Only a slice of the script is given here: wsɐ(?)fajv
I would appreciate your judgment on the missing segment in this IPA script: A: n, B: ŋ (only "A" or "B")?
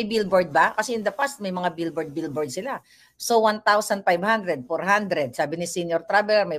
A